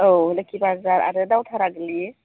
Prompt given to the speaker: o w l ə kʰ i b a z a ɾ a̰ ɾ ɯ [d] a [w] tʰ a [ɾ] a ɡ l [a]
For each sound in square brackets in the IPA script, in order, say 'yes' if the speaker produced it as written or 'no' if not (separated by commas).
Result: yes, yes, yes, no